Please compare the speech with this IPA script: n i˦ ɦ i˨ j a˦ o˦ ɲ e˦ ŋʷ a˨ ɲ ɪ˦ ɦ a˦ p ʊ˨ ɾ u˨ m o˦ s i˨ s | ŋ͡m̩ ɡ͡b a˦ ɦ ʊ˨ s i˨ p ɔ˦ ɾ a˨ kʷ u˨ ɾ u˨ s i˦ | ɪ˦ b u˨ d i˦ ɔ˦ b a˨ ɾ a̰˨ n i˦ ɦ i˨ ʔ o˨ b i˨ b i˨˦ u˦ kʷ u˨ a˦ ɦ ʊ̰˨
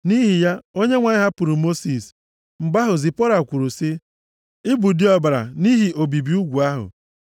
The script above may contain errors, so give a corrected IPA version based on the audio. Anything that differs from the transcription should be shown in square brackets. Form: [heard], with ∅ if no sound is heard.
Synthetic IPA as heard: n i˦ ɦ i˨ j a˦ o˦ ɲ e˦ ŋʷ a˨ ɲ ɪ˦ ɦ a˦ p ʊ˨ ɾ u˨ m o˦ s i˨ s | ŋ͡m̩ ɡ͡b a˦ ɦ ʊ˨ [z] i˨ p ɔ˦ ɾ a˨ kʷ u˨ ɾ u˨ s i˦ | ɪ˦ b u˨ d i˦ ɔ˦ b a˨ ɾ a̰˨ n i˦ ɦ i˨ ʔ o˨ b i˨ b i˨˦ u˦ [ɡʷ] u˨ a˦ ɦ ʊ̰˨